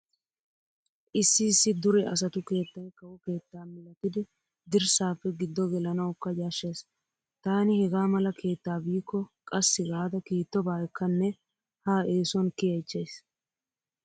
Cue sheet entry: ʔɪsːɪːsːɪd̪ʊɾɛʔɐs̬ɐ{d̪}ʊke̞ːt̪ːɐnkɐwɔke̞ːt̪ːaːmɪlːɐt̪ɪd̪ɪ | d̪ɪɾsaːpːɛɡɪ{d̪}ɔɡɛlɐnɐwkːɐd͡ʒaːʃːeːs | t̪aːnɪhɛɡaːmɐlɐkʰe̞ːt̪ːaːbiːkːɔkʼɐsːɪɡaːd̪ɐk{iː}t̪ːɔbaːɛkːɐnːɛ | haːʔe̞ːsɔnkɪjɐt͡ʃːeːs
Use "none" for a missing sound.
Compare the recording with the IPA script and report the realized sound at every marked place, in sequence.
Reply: t̪, d̪ː, iː

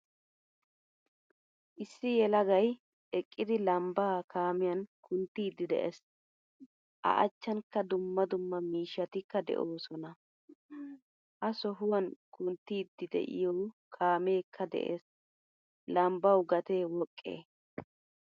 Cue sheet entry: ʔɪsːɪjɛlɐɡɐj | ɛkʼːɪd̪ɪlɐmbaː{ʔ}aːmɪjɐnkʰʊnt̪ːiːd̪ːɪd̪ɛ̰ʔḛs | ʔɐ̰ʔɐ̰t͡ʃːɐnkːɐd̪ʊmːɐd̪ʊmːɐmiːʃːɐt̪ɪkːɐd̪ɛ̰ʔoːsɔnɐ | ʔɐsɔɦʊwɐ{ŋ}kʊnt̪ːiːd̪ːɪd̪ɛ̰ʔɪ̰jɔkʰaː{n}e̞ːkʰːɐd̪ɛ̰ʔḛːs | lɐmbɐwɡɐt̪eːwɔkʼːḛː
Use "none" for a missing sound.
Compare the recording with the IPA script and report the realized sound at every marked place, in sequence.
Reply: k, n, m

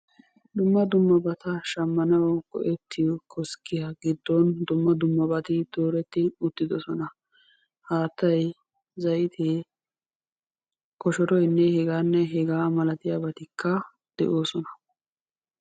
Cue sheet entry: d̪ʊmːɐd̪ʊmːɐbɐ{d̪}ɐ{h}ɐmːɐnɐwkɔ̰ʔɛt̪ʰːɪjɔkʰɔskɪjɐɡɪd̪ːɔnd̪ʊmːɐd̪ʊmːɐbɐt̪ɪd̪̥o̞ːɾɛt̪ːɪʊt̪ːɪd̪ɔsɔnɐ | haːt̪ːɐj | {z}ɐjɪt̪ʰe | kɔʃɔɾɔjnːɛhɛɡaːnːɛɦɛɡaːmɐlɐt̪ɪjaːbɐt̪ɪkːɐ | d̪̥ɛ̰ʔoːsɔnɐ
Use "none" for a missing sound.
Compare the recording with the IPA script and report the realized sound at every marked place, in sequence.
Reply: t̪, ʃ, z

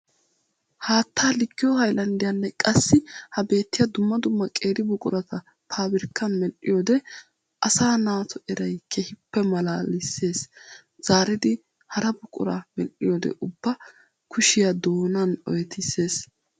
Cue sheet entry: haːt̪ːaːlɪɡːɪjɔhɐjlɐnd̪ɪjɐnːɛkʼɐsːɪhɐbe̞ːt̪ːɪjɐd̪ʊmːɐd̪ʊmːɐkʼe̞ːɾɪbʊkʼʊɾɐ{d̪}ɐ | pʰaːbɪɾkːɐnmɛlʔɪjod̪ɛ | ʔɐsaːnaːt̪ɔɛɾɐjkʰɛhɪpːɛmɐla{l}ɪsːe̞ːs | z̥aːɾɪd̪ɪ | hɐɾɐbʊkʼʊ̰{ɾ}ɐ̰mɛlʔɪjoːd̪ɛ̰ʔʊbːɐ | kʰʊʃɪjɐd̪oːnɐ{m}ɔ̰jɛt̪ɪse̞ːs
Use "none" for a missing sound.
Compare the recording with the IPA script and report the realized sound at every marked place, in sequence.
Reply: t̪, l, ɾ, n

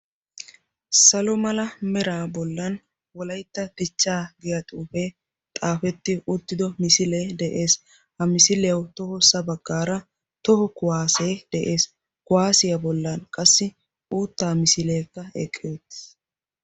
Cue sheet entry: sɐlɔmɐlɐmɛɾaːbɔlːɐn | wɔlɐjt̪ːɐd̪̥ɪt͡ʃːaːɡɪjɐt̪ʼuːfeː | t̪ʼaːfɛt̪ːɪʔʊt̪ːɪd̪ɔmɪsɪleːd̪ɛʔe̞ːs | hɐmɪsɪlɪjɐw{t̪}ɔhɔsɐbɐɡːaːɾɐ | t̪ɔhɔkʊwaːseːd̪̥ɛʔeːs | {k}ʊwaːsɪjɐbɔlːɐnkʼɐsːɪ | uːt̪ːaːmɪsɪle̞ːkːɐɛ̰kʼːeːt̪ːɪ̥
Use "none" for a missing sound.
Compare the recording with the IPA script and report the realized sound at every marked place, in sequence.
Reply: t̪, k

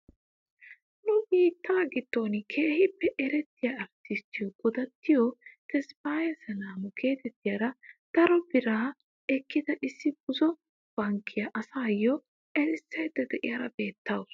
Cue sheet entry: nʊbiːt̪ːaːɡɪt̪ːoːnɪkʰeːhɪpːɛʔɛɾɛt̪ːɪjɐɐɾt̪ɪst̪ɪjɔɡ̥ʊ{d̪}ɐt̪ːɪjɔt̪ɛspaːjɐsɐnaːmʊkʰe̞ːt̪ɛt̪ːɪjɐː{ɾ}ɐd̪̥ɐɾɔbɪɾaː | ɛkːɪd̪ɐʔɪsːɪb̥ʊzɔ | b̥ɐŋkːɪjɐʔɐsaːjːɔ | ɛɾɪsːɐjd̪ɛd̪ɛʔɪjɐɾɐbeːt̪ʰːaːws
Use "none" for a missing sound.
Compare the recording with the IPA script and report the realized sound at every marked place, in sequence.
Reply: d̪, ɾ

